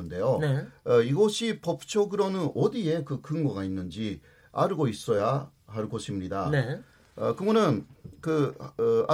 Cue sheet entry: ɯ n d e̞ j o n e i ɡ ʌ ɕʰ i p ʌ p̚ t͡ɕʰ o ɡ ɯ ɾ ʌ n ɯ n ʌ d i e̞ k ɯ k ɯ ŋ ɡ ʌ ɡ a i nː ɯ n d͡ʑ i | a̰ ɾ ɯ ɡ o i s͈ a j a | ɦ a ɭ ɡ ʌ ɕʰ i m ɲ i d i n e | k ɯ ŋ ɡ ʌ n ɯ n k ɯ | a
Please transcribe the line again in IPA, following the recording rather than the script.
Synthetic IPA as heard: ɯ n d e̞ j o n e i ɡ ʌ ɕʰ i p ʌ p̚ t͡ɕʰ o ɡ ɯ ɾ ʌ n ɯ n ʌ d i e̞ k ɯ k ɯ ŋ ɡ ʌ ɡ a i nː ɯ n d͡ʑ i | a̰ ɾ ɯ ɡ o i s͈ ʌ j a | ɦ a ɭ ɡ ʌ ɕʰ i m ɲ i d a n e | k ɯ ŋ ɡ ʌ n ɯ n k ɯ | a